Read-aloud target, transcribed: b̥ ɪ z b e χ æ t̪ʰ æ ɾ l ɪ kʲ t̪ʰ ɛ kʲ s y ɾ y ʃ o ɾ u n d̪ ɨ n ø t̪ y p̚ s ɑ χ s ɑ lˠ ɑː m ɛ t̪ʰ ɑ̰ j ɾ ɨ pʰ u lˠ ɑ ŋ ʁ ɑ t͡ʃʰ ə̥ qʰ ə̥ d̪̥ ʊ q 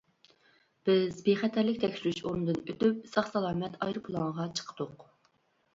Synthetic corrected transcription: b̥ ɪ z b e χ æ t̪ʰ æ ɾ l ɪ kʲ t̪ʰ ɛ kʲ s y ɾ y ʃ o ɾ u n d̪ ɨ n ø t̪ y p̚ s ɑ χ s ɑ lˠ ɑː m ɛ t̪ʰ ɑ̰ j ɾ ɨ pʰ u lˠ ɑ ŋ ʁ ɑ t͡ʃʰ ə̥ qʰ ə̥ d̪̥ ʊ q